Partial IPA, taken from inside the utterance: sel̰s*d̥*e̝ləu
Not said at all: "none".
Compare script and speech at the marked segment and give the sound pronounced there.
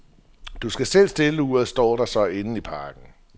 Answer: d̥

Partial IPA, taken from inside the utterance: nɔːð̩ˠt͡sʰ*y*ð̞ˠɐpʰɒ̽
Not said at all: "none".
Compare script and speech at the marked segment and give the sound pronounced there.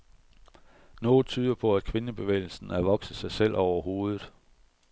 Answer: yː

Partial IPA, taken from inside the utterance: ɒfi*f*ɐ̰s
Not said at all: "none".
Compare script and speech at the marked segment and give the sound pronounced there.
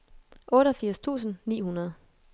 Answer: none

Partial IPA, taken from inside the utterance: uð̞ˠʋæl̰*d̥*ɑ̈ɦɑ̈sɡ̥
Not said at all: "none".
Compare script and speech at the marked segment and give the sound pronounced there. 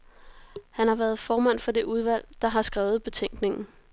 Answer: d̥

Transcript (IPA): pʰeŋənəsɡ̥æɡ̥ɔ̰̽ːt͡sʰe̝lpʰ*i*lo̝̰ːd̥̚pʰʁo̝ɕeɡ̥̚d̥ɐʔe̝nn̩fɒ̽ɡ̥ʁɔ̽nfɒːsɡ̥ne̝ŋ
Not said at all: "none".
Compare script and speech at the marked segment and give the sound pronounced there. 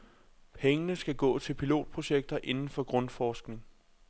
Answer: i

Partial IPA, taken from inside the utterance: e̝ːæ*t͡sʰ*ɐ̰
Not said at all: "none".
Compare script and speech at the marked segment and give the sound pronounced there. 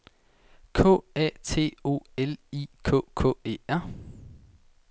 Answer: none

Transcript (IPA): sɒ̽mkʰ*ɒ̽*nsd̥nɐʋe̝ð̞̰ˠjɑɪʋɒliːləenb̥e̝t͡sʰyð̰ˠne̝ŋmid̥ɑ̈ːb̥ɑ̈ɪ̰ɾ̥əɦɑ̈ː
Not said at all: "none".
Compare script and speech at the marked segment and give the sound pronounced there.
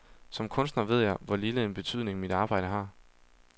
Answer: ɔ̽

